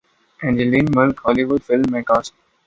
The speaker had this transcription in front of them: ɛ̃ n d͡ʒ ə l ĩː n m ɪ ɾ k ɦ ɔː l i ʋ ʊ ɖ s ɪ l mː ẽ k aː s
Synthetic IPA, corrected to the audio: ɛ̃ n d͡ʒ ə l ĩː n m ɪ l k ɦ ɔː l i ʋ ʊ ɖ f ɪ l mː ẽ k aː s